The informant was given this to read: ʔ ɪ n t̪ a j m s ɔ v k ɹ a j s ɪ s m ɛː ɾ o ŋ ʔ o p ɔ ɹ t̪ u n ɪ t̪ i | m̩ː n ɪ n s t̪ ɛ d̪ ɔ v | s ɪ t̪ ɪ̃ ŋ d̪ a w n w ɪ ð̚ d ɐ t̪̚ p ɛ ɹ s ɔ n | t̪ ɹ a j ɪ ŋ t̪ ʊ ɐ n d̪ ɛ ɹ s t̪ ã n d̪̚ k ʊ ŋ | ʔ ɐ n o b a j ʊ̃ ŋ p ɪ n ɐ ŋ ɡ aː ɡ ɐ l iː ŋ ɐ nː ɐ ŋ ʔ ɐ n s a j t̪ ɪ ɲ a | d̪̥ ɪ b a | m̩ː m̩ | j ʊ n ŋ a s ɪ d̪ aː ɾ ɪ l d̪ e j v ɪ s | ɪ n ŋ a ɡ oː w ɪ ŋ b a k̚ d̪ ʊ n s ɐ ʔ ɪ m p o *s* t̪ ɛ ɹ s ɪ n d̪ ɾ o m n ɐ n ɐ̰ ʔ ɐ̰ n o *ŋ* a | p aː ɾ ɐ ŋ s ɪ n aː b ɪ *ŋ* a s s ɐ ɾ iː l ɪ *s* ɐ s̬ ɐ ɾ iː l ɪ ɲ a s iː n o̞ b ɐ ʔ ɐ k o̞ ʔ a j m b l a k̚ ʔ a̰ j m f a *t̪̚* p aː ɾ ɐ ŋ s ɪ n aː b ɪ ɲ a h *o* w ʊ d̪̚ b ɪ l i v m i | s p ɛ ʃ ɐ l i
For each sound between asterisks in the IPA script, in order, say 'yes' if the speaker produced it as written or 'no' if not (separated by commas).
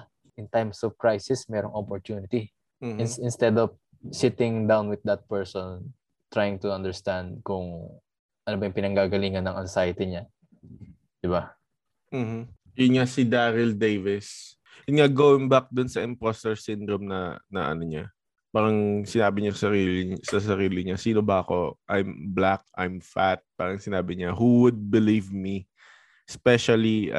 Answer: yes, no, no, yes, yes, no